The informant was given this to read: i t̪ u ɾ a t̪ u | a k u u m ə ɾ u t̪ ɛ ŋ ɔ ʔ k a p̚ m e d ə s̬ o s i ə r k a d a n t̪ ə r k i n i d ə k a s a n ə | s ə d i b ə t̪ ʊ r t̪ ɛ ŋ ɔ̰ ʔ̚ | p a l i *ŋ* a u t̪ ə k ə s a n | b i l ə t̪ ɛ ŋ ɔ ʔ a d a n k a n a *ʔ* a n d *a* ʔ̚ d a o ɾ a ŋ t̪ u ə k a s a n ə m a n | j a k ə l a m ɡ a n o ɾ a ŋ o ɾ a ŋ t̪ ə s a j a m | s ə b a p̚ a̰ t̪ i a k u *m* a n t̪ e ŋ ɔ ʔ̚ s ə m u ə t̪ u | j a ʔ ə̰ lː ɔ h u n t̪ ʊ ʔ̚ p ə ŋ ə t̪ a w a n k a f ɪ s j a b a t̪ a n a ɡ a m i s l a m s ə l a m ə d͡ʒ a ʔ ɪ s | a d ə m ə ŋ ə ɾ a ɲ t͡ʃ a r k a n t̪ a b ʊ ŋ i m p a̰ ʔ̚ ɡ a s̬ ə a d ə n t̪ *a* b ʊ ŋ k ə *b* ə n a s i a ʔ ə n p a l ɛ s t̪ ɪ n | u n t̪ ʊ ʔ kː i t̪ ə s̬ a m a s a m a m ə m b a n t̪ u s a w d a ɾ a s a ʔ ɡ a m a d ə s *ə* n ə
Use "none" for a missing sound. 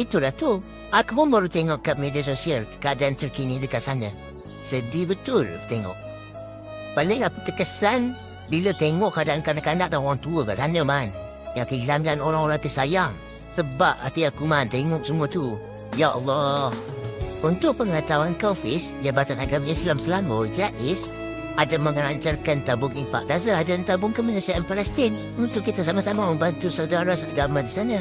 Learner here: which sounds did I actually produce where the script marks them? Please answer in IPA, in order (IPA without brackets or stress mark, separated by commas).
ŋ, k, a, m, a, m, a